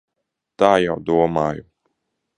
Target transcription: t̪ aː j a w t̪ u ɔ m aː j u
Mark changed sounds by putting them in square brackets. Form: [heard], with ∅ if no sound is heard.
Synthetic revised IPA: t̪ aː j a w [d̪] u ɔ m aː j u